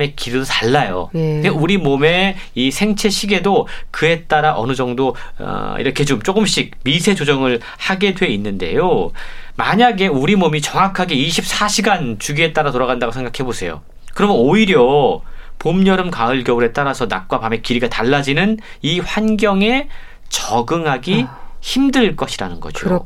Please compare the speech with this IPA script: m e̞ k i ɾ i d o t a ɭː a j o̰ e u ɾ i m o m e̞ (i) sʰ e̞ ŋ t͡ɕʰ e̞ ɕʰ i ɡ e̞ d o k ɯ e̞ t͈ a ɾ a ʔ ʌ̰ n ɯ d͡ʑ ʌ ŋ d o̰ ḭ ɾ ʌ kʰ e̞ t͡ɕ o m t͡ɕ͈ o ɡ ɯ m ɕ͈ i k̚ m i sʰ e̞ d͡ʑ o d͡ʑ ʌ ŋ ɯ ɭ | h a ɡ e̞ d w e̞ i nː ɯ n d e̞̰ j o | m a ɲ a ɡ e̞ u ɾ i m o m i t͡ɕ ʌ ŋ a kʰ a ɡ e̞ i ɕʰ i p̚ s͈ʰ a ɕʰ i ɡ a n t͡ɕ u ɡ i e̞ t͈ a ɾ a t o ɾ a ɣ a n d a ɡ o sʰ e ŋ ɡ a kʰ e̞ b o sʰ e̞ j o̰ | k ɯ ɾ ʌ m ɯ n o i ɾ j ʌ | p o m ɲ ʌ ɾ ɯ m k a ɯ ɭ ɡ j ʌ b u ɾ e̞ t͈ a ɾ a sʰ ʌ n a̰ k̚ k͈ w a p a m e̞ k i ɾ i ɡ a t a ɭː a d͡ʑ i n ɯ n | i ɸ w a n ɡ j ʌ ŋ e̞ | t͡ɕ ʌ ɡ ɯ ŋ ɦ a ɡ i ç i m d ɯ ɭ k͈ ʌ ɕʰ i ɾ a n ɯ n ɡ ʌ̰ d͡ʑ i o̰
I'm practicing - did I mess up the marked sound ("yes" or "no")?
no